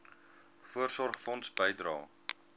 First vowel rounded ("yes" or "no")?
yes